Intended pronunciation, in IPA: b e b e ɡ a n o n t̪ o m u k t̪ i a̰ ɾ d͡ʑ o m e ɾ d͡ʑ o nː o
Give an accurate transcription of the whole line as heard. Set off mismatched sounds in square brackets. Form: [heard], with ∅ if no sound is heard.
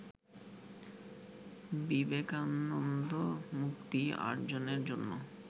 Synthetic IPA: b [i] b e [k] a n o n [d̪] o m u k t̪ i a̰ ɾ d͡ʑ o [n] e ɾ d͡ʑ o nː o

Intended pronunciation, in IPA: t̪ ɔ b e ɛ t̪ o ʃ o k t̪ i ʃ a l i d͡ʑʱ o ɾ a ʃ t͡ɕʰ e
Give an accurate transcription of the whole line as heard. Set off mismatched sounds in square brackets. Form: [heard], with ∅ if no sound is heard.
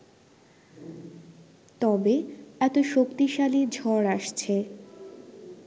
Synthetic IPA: t̪ ɔ b e ɛ t̪ o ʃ o k t̪ i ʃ a l i d͡ʑʱ [ɔ] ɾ a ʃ t͡ɕʰ e

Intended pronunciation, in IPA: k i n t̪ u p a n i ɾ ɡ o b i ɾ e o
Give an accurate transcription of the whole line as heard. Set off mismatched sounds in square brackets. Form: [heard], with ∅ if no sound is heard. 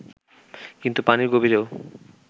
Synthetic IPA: k i n t̪ u p a n i ɾ ɡ o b i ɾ e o

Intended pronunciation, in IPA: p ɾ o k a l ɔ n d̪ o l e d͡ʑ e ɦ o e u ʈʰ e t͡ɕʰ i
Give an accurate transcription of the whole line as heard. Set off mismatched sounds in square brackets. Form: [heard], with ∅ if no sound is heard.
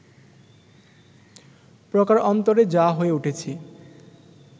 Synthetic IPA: p ɾ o k a [ɾ] ɔ n [t̪] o [ɾ] e d͡ʑ [a] ɦ o e u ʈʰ e t͡ɕʰ i

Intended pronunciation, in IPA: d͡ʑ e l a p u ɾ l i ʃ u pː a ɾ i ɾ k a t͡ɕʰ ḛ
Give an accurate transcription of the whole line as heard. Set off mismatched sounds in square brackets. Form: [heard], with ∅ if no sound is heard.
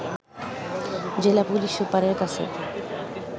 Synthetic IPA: d͡ʑ e l a p u [∅] l i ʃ u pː a ɾ [e] ɾ k a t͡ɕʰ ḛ

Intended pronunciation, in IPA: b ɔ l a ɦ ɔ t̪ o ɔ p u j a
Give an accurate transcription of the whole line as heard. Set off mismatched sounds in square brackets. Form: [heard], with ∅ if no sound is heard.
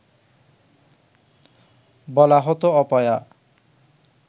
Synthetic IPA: b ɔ l a ɦ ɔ t̪ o ɔ p [ɔ] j a

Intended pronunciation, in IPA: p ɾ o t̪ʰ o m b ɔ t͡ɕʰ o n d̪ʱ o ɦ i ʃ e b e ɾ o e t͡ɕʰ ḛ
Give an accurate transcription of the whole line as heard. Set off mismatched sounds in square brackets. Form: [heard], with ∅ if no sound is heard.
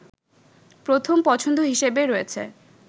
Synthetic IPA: p ɾ o t̪ʰ o m [p] ɔ t͡ɕʰ o n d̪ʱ o ɦ i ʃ e b e ɾ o e t͡ɕʰ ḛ

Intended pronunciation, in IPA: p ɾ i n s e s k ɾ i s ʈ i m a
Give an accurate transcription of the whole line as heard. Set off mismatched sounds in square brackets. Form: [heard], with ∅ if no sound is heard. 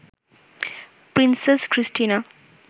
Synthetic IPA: p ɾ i n s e s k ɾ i s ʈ i [n] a

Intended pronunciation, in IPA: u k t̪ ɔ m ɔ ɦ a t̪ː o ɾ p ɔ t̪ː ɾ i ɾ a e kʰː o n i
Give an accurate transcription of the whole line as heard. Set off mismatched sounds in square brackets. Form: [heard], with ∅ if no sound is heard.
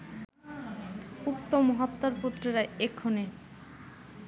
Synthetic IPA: u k t̪ [o] m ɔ ɦ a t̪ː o ɾ p [u] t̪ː ɾ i ɾ a e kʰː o n [e]

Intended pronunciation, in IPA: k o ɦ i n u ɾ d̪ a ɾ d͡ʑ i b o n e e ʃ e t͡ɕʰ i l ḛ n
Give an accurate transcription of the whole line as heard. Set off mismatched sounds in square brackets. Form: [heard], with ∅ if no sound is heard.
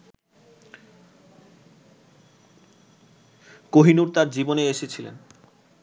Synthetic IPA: k o ɦ i n u ɾ [t̪] a ɾ d͡ʑ i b o n e e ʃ e t͡ɕʰ i l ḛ n

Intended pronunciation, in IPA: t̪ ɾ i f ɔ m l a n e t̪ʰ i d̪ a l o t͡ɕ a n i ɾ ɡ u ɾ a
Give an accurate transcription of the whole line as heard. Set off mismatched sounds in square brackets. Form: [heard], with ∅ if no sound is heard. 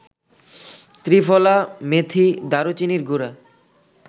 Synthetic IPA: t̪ ɾ i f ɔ [∅] l a [m] e t̪ʰ i d̪ a [ɾ] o t͡ɕ [i] n i ɾ ɡ u ɾ a

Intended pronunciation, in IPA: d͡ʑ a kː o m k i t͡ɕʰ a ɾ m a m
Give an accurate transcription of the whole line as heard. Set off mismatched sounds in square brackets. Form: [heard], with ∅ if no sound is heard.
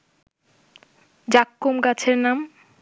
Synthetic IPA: d͡ʑ a kː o m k [a] t͡ɕʰ [e] ɾ [n] a m

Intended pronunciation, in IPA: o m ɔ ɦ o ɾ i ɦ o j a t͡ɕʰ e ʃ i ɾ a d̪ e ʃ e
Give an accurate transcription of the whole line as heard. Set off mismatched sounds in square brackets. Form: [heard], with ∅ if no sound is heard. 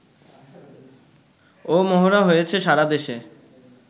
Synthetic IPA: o m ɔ ɦ o ɾ [a] ɦ o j [e] t͡ɕʰ e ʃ [a] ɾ a d̪ e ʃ e

